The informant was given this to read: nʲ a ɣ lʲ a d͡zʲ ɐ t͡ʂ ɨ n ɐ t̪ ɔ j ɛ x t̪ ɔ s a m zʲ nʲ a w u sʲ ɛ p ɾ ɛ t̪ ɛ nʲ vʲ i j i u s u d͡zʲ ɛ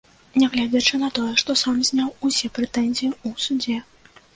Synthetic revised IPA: nʲ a ɣ lʲ a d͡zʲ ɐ t͡ʂ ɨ n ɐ t̪ ɔ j ɛ ʂ t̪ ɔ s a m zʲ nʲ a w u sʲ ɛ p ɾ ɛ t̪ ɛ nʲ zʲ i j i u s u d͡zʲ ɛ